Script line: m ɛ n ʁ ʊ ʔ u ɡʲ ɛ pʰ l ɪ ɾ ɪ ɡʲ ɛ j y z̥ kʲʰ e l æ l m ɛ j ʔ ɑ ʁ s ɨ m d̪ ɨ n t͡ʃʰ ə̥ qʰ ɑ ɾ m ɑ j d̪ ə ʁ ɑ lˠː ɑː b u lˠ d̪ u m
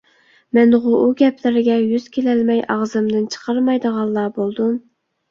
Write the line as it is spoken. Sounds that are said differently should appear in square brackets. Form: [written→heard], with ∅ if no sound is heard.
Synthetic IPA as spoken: m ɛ n ʁ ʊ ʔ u ɡʲ ɛ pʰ l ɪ ɾ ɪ ɡʲ ɛ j y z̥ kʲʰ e l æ l m ɛ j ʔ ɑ ʁ [s→z] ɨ m d̪ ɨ n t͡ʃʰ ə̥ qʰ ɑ ɾ m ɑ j d̪ ə ʁ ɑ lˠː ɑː b [u→o] lˠ d̪ u m